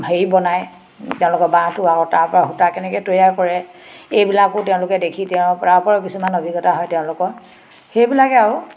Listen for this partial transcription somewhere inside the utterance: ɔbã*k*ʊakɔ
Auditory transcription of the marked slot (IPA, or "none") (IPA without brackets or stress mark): t